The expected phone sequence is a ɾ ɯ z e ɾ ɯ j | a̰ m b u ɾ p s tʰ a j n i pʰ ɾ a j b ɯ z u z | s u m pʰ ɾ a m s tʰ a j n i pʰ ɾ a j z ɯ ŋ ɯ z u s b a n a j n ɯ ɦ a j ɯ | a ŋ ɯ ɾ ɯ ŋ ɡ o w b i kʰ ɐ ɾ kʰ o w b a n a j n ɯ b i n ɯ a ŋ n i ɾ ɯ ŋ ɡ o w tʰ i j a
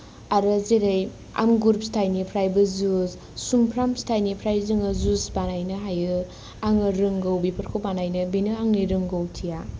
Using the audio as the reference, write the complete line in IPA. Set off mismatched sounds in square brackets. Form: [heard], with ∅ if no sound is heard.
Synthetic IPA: a ɾ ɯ z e ɾ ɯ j | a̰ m [ɡ] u ɾ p s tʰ a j n i pʰ ɾ a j b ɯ z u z | s u m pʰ ɾ a m s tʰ a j n i pʰ ɾ a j z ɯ ŋ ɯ z u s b a n a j n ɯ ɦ a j ɯ | a ŋ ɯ ɾ ɯ ŋ ɡ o w b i [pʰ] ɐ ɾ kʰ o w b a n a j n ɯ b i n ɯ a ŋ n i ɾ ɯ ŋ ɡ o w tʰ i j a